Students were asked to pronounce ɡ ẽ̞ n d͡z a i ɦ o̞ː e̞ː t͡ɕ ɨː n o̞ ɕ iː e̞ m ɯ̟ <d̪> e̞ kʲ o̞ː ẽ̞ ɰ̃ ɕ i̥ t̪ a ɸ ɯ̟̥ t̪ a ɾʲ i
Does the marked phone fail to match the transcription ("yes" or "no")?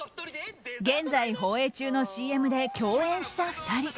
no